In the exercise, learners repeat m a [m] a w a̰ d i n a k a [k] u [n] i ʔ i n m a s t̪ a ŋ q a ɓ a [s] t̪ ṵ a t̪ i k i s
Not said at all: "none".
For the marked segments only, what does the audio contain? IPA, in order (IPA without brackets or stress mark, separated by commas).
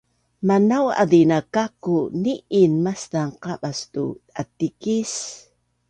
n, k, n, s